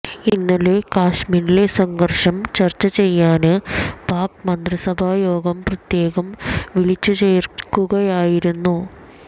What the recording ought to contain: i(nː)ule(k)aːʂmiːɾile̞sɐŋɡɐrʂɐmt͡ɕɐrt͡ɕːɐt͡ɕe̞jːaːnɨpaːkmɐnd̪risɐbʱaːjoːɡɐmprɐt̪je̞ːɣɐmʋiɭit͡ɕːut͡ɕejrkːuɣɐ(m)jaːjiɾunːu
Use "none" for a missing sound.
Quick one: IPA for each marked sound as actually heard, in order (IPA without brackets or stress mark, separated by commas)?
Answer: nː, k, none